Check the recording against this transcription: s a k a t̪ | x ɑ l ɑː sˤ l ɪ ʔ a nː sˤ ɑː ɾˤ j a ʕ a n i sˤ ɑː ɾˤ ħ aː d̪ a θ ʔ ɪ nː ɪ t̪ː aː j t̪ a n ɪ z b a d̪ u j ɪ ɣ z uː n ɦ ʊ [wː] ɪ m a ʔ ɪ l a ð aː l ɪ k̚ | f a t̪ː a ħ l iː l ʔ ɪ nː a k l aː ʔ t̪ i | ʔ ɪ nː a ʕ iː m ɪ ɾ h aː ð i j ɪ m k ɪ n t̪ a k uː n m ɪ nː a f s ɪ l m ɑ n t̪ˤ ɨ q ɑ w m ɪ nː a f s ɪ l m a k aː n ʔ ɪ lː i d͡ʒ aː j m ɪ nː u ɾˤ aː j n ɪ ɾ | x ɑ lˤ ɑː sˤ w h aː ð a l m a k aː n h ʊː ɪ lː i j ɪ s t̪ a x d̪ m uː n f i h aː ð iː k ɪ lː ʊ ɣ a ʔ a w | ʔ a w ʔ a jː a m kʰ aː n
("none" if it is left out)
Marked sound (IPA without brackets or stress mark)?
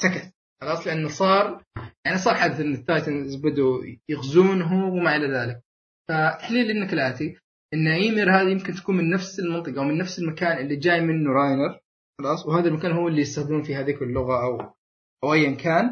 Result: w